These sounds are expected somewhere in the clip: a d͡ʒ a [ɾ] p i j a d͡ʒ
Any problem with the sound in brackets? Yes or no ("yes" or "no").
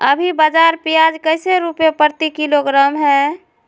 no